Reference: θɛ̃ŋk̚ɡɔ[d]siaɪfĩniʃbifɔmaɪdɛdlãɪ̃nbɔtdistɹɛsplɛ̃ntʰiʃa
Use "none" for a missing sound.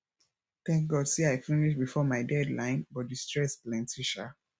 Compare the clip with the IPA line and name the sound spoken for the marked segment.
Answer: d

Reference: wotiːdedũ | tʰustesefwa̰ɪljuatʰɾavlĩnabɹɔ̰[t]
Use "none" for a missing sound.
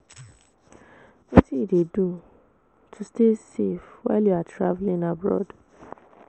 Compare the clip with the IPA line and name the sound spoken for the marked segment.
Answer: d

